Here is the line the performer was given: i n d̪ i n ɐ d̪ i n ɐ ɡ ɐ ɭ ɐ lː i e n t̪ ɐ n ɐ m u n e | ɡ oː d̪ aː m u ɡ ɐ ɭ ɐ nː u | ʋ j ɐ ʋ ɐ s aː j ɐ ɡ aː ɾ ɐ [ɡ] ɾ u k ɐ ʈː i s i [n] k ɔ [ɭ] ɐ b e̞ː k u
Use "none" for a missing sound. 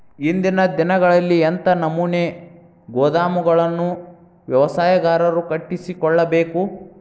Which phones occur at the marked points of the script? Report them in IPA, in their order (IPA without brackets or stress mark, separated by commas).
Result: none, none, ɭː